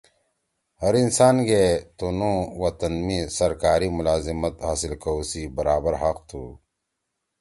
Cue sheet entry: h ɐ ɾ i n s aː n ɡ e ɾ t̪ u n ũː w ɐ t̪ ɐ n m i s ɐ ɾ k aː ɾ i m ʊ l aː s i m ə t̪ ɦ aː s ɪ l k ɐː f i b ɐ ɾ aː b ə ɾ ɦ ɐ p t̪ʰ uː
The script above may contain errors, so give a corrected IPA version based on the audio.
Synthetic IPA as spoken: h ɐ ɾ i n s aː n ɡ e t̪ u n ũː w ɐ t̪ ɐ n m i s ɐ ɾ k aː ɾ i m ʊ l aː z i m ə t̪ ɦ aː s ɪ l k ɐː s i b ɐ ɾ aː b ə ɾ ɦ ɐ q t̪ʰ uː

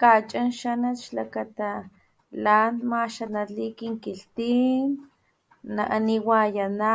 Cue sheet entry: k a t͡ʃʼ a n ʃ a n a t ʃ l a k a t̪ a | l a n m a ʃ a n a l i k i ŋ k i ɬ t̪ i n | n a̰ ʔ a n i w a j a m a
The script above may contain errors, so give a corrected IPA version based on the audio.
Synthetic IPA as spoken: k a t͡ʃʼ a n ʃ a n a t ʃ l a k a t̪ a | l a n m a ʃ a n a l i k i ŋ k i ɬ t̪ i n | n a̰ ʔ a n i w a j a n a

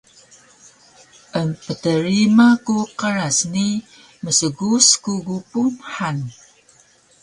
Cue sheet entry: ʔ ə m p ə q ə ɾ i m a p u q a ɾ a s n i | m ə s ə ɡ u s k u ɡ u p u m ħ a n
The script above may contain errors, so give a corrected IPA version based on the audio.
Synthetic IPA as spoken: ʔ ə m p ə t ə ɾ i m a k u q ə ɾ a s n i | m ə s ə ɡ u s k u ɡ u p u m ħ a n

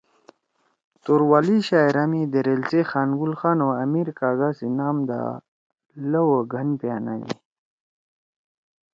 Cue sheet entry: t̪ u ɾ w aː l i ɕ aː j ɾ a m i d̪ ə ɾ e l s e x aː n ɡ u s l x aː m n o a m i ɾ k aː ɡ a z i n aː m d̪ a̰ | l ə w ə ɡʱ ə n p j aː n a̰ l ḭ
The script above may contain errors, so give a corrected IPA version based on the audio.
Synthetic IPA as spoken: t̪ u ɾ w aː l i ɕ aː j ɾ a m i d̪ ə ɾ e l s e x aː n ɡ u l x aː n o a m i ɾ k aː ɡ a s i n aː m d̪ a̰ | l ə w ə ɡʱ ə n p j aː n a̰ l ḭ

